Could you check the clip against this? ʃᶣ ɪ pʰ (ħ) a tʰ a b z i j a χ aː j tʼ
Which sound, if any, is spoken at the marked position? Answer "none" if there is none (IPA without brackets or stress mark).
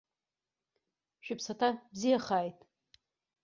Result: s